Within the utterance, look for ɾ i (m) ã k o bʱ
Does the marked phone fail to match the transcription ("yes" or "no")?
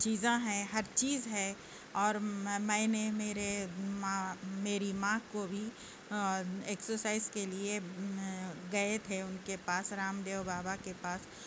no